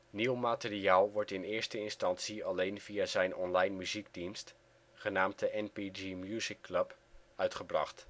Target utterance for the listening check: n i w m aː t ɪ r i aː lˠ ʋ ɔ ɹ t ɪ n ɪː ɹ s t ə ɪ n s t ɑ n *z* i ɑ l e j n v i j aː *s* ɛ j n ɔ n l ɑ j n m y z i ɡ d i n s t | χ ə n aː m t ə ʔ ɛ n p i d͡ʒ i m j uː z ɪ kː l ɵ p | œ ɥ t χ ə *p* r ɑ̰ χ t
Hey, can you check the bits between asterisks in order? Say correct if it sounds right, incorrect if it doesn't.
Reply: incorrect: s, incorrect: z, incorrect: b

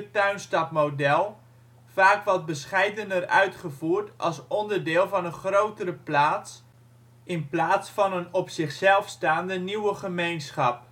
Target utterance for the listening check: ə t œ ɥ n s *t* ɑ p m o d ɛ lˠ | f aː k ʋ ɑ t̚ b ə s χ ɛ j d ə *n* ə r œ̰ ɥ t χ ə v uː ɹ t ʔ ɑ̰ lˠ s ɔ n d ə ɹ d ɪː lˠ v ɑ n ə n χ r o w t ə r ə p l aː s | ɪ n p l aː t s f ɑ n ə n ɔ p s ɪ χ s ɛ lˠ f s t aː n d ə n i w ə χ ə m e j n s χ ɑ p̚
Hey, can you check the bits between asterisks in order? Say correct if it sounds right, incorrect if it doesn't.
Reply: correct, correct

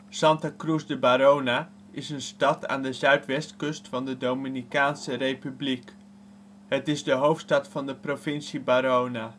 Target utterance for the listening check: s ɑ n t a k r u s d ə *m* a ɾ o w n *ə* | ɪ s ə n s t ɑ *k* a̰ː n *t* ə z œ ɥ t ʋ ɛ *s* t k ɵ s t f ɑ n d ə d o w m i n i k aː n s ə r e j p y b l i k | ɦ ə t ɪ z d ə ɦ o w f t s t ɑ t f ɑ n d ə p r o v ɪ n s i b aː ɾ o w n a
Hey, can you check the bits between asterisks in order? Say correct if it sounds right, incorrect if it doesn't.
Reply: incorrect: b, incorrect: a, incorrect: t, incorrect: d, correct

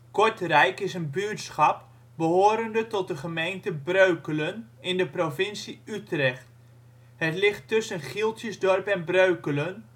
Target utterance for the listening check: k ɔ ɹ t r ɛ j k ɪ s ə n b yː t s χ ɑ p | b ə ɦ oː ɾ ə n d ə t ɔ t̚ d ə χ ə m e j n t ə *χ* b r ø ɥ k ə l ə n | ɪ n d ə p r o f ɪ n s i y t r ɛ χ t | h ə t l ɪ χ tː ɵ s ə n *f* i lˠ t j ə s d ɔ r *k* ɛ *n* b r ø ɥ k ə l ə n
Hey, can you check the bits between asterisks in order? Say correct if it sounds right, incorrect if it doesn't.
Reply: incorrect: none, incorrect: χ, incorrect: p, correct

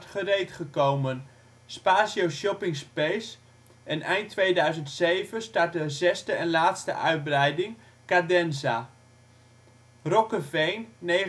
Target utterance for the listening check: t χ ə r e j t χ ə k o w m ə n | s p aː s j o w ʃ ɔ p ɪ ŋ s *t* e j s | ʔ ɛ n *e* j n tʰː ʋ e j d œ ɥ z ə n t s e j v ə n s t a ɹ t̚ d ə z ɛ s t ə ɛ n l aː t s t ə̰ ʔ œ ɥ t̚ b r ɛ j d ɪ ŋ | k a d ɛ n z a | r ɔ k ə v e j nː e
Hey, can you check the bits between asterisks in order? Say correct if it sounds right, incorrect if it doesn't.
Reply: incorrect: p, incorrect: ɛ

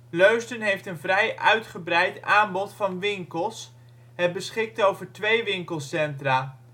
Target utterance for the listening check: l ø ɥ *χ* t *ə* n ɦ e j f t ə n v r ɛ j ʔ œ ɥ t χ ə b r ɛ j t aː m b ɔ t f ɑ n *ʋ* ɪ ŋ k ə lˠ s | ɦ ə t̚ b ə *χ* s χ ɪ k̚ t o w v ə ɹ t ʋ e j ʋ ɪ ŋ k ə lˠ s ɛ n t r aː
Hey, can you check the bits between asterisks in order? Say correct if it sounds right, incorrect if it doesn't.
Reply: incorrect: s, correct, correct, incorrect: none

